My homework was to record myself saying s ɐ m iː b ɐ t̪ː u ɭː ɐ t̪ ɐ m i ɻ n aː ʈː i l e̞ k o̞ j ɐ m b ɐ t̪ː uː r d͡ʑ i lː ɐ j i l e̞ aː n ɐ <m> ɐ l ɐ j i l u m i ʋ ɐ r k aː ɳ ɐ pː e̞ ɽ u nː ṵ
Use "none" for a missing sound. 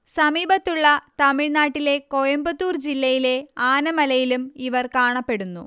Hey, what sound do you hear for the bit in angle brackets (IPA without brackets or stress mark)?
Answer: m